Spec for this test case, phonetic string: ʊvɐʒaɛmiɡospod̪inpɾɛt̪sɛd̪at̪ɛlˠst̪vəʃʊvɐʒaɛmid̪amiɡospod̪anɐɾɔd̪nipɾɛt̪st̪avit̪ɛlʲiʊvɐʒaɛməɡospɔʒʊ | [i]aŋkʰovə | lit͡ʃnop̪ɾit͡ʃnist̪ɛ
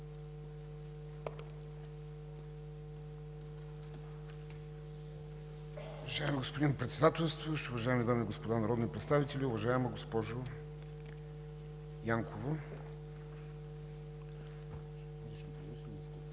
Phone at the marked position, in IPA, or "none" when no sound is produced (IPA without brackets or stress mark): j